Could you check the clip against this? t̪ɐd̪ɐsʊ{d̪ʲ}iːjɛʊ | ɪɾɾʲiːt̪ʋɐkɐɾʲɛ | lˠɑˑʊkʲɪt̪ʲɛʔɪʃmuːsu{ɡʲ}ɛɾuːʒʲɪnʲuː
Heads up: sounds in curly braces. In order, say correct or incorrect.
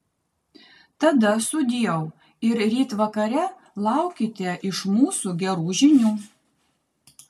correct, correct

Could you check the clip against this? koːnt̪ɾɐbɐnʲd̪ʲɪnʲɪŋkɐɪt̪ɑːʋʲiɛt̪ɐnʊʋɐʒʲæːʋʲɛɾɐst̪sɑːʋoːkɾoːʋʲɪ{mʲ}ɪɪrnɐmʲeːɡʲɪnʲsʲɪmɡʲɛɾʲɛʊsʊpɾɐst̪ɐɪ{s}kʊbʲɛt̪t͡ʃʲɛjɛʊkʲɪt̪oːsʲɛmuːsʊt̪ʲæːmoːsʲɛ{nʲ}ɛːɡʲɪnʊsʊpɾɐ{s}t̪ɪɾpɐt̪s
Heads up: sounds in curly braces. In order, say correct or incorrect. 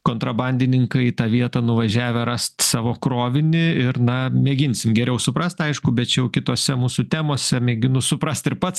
incorrect: nʲ, incorrect: ʃ, incorrect: mʲ, correct

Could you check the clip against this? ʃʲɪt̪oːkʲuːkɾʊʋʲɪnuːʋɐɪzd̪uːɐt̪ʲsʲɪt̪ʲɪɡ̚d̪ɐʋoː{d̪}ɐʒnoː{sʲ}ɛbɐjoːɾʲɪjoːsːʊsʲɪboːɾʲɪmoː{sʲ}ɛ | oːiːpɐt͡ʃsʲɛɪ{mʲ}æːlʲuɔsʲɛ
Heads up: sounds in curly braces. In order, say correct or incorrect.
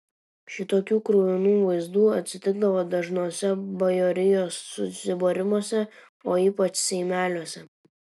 correct, correct, correct, correct

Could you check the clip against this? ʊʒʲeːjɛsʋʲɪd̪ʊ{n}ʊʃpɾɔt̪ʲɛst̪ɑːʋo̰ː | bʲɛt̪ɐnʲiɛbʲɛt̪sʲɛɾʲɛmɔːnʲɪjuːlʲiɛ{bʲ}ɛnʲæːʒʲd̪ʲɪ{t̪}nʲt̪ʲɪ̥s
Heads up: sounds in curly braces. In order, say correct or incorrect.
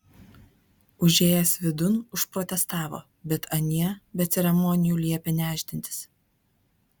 correct, incorrect: pʲ, incorrect: none

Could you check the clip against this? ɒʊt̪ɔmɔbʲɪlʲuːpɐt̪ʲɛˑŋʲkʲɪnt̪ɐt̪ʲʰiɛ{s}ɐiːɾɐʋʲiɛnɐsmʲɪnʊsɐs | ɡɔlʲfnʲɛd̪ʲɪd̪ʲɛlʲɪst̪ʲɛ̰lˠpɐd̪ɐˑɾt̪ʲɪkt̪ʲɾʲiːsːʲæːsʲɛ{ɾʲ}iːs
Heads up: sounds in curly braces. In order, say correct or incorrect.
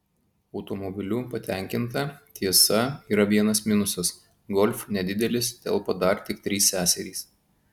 correct, correct

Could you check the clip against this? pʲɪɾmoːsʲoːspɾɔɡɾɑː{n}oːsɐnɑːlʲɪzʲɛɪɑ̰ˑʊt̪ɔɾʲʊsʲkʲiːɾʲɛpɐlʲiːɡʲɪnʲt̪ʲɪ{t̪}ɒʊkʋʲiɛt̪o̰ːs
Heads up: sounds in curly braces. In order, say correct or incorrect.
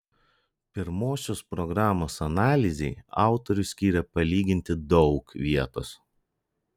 incorrect: m, incorrect: d̪

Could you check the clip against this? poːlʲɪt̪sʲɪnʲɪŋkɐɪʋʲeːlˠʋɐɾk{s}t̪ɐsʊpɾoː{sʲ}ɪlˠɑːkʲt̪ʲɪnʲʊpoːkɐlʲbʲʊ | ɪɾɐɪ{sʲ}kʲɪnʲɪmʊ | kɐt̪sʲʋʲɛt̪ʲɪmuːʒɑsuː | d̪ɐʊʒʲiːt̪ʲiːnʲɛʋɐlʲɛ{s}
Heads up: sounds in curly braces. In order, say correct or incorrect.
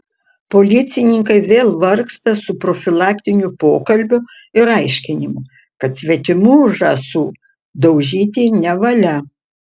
correct, incorrect: fʲ, incorrect: ʃʲ, incorrect: none

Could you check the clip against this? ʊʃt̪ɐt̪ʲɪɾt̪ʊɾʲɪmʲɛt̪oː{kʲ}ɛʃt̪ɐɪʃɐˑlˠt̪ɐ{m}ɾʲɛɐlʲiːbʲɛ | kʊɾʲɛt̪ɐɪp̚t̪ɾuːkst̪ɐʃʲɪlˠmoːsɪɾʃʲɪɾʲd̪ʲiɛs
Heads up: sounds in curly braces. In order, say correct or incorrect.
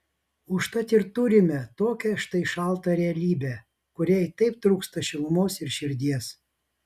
correct, incorrect: none

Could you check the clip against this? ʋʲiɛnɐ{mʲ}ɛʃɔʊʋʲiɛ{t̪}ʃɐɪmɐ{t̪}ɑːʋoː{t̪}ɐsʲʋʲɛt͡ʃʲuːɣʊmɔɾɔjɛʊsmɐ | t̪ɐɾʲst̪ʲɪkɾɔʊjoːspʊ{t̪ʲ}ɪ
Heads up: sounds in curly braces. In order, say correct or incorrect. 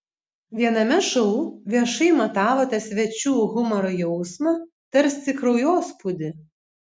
correct, incorrect: none, correct, correct, incorrect: d̪ʲ

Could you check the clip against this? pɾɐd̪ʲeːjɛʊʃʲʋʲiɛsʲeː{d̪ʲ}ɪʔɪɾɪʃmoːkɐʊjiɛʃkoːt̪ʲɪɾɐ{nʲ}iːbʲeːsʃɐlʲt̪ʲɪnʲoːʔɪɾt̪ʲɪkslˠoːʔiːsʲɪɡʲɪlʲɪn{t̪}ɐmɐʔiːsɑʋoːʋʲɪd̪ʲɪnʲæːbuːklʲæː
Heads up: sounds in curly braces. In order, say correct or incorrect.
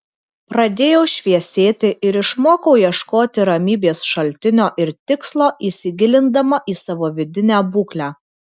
incorrect: t̪ʲ, incorrect: mʲ, incorrect: d̪

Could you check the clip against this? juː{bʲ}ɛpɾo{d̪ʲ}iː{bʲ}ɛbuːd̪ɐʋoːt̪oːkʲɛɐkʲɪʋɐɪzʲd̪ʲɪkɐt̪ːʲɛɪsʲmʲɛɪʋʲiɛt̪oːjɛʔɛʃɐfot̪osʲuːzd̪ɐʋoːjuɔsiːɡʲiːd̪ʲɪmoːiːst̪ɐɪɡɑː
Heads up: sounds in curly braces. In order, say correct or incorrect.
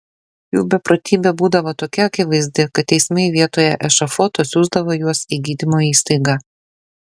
correct, incorrect: t̪ʲ, correct

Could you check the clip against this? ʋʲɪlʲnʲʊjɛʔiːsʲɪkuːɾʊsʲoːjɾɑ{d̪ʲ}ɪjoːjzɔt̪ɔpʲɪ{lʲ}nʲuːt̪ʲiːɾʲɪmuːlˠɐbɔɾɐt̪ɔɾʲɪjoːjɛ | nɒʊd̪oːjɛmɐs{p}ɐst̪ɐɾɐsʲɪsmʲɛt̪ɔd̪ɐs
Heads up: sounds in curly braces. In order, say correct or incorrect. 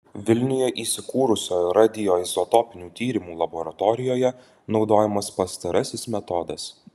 correct, incorrect: none, correct

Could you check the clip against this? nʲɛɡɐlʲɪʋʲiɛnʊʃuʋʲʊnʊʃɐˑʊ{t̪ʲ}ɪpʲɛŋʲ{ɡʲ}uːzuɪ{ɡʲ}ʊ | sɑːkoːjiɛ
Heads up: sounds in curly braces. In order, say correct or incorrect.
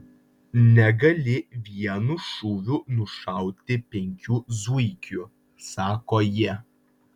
correct, incorrect: kʲ, incorrect: kʲ

